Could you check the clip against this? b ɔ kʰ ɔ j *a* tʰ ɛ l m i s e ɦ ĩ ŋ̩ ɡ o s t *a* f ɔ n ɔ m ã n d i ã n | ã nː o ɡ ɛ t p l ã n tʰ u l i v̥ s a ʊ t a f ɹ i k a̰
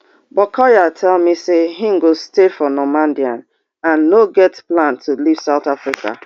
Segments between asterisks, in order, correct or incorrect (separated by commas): correct, incorrect